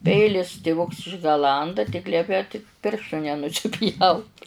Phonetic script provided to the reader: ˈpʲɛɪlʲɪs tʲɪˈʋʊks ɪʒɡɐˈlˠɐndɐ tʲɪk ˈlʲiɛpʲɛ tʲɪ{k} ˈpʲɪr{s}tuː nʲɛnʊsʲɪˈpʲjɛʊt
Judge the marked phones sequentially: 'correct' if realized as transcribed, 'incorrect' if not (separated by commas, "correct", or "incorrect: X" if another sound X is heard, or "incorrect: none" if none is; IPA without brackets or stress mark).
correct, incorrect: ʃ